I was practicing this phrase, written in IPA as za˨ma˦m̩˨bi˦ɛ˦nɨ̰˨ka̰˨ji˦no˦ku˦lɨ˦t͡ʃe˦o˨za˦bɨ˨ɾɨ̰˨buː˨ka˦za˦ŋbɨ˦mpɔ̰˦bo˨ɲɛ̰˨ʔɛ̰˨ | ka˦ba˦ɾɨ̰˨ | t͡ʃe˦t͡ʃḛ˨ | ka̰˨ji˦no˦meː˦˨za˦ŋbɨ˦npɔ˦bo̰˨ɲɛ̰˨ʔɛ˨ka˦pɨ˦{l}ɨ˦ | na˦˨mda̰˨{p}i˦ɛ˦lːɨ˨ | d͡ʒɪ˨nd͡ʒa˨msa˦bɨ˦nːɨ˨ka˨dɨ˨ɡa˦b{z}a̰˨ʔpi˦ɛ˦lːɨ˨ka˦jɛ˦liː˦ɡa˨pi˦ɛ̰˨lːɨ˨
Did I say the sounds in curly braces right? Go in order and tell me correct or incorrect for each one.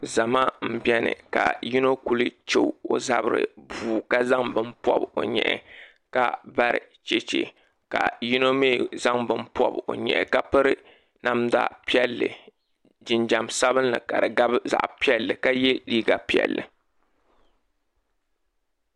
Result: incorrect: ɾ, correct, correct

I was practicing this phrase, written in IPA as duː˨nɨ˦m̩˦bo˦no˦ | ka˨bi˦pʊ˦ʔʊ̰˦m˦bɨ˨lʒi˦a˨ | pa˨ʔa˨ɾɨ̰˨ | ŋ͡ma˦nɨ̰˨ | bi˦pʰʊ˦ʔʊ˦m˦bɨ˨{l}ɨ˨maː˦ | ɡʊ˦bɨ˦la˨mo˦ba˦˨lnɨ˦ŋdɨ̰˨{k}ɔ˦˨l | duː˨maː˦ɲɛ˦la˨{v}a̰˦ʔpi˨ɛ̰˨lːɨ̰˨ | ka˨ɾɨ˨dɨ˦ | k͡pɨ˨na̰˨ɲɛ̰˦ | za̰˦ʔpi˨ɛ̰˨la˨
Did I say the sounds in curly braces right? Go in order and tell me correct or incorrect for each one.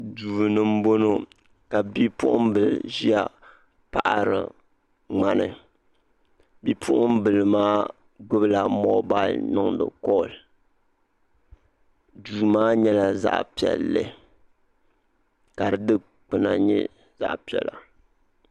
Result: correct, correct, incorrect: z

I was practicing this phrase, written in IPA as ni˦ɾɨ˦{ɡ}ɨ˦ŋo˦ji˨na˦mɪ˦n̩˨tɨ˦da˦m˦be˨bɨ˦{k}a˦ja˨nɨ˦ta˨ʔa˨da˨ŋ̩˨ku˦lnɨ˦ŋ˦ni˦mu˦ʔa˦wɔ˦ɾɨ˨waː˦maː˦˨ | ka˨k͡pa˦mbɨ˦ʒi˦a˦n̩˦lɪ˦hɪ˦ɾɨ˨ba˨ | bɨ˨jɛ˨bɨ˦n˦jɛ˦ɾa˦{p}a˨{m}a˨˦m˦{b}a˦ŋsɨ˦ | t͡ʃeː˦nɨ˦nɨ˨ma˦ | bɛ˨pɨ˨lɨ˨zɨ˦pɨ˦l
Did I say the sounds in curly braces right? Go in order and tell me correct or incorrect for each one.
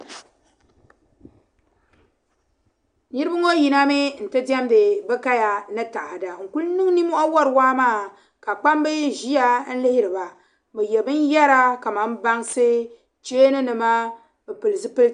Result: incorrect: b, correct, incorrect: k, correct, correct

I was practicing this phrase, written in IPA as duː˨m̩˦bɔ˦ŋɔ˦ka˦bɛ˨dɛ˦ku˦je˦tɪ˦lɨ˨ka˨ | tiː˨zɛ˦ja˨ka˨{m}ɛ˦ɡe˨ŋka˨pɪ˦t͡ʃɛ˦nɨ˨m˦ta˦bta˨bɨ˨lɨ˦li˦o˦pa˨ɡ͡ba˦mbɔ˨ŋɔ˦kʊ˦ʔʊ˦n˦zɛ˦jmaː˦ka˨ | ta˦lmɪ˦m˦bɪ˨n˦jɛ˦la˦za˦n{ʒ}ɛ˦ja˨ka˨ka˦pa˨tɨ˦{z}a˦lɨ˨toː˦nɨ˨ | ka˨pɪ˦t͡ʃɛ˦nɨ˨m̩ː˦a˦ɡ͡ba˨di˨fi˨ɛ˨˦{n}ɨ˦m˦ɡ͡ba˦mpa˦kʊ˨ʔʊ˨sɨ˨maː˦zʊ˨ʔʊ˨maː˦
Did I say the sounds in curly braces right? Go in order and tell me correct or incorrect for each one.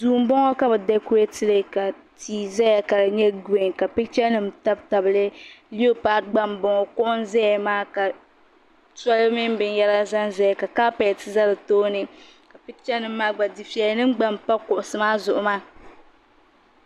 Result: incorrect: ɲ, incorrect: z, correct, correct

